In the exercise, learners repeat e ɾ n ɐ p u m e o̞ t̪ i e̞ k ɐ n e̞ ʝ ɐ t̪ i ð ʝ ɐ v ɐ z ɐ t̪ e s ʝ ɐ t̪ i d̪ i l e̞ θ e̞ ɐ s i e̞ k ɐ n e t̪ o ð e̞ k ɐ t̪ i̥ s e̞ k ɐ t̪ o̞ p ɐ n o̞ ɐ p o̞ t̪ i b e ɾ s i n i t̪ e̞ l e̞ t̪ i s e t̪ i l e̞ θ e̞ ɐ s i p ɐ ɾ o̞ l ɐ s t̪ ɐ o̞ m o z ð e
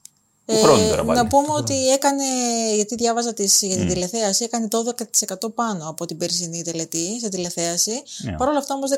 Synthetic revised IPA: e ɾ n ɐ p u m e o̞ t̪ i e̞ k ɐ n e̞ ʝ ɐ t̪ i ð ʝ ɐ v ɐ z ɐ t̪ i s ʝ ɐ t̪ i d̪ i l e̞ θ e̞ ɐ s i e̞ k ɐ n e t̪ o ð e̞ k ɐ t̪ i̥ s e̞ k ɐ t̪ o̞ p ɐ n o̞ ɐ p o̞ t̪ i b e ɾ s i n i t̪ e̞ l e̞ t̪ i s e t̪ i l e̞ θ e̞ ɐ s i p ɐ ɾ o̞ l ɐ f t̪ ɐ o̞ m o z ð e